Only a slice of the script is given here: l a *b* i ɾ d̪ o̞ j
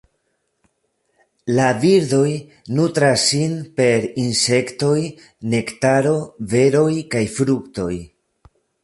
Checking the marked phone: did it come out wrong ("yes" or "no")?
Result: yes